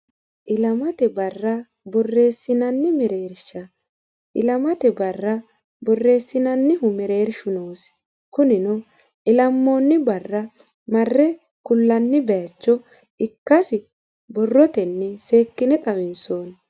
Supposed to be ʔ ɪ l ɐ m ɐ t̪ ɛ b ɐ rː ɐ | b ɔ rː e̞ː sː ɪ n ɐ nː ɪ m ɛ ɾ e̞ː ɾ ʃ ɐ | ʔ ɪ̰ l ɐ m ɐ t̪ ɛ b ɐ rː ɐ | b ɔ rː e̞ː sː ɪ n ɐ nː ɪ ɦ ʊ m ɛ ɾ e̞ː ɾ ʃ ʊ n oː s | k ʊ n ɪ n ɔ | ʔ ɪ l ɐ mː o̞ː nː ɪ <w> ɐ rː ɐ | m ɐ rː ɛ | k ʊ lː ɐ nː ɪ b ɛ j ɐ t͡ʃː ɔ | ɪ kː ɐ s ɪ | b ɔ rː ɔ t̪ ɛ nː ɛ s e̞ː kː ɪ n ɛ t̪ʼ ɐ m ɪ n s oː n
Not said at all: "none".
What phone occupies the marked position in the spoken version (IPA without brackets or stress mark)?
b